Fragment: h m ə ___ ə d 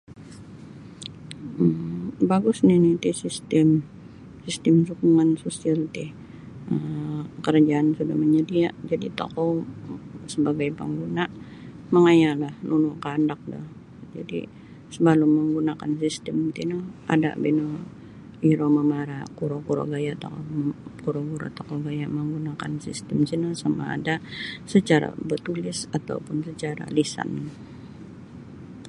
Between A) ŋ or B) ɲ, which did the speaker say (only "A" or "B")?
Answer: B